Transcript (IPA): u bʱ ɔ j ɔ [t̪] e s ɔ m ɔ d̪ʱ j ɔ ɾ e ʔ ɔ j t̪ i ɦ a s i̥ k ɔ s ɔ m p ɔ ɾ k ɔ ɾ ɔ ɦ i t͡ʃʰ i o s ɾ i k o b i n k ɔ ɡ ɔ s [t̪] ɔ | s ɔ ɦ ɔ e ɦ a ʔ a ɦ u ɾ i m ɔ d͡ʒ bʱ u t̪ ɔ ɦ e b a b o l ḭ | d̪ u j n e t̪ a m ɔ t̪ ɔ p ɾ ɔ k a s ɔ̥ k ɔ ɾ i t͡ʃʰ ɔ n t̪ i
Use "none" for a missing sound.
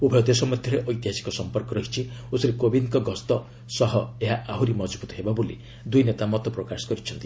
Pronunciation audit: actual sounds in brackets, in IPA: d̪, t̪

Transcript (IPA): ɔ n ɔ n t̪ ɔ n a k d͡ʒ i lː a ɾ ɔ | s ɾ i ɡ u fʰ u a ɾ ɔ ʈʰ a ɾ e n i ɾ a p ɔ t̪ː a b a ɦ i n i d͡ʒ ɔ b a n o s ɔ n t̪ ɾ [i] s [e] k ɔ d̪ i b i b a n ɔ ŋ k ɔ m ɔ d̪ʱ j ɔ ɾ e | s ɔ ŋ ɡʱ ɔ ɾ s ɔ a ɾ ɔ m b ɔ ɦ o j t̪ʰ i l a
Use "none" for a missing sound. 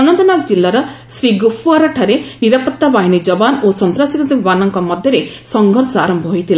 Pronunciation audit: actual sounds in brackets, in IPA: a, i

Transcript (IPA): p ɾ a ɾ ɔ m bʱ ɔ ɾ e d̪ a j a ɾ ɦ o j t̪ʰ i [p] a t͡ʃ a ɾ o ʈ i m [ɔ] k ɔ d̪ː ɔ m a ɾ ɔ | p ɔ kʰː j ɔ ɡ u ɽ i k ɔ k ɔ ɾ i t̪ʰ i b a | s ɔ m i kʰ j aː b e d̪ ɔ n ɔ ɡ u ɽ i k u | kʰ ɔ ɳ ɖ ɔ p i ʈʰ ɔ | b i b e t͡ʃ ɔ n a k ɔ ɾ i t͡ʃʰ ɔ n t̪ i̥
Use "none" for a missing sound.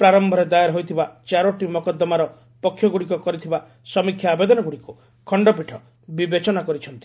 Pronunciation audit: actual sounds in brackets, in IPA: b, ɔ

